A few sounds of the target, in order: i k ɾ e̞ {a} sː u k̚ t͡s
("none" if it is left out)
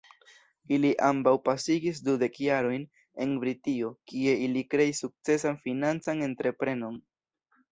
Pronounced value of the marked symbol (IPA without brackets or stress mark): i